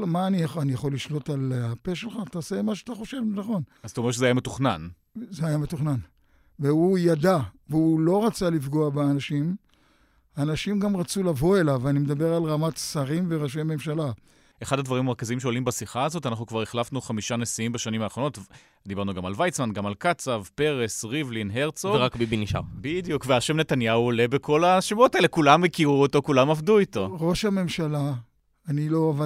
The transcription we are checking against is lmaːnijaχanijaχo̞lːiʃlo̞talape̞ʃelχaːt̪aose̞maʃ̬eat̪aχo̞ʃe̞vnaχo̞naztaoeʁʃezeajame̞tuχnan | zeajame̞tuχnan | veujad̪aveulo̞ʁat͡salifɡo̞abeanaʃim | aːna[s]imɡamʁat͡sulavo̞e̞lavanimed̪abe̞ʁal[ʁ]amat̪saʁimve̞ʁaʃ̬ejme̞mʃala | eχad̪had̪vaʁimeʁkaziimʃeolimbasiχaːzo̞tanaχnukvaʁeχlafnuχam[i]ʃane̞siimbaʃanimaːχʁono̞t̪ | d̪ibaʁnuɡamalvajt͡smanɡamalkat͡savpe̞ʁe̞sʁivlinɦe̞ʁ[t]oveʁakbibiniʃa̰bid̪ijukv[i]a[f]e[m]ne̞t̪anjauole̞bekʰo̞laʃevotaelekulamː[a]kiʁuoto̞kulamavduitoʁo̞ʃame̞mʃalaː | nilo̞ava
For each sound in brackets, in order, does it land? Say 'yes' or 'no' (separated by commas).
no, yes, yes, no, no, no, yes, no